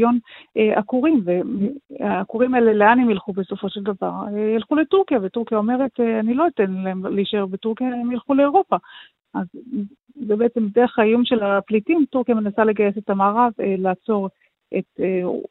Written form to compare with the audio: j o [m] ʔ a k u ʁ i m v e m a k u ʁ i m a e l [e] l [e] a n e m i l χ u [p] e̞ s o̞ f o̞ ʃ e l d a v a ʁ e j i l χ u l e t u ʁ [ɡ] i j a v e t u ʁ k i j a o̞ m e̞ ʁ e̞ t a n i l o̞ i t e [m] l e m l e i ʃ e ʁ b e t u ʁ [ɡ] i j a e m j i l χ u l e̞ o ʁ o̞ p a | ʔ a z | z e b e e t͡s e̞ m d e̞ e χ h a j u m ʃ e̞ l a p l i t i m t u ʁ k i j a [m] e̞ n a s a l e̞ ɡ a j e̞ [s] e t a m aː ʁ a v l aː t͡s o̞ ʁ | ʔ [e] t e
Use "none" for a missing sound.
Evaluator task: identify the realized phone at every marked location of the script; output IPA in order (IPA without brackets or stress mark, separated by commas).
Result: n, e, e, b, k, n, k, m, s, e